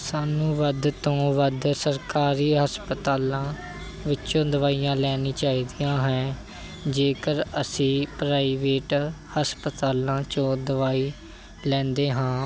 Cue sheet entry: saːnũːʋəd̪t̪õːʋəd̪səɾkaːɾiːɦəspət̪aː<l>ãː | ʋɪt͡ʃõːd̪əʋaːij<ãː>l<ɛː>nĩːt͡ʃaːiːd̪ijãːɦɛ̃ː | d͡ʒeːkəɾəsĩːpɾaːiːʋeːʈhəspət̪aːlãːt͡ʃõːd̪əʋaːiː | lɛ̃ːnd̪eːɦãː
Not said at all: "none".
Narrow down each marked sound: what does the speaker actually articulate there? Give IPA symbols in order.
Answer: l, ãː, ɛː

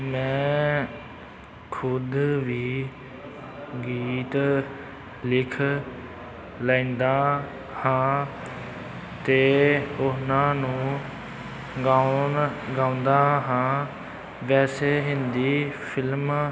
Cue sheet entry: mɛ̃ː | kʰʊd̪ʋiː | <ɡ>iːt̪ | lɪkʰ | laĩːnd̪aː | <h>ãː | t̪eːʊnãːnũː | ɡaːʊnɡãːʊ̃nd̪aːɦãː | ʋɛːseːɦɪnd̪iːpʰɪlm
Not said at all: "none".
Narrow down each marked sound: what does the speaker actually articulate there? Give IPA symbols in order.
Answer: ɡ, h

